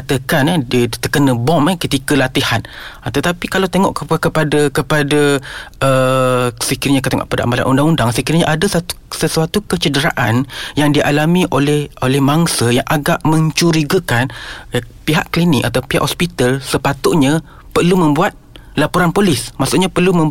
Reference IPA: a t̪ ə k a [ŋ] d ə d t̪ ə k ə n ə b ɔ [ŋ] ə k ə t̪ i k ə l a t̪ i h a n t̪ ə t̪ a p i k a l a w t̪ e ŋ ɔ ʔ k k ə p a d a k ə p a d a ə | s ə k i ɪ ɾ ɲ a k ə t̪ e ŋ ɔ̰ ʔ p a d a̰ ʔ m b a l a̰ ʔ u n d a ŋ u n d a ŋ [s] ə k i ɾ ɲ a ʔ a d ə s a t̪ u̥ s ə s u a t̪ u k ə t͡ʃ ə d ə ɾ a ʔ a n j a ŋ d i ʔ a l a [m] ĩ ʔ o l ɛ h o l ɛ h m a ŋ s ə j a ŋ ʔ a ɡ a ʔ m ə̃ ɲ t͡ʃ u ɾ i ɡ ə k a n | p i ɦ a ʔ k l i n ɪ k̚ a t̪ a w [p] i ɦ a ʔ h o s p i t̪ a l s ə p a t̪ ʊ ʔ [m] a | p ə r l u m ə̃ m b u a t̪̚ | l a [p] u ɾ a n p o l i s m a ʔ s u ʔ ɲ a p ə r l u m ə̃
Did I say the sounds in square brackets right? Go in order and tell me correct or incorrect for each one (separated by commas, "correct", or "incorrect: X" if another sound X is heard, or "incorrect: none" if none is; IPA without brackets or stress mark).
incorrect: n, incorrect: m, correct, correct, correct, incorrect: ɲ, correct